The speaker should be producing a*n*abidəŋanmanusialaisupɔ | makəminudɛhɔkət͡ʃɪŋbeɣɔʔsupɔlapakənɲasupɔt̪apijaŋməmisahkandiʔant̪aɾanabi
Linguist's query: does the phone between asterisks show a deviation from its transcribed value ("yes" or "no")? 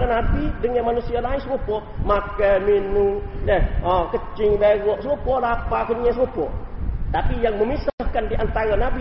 no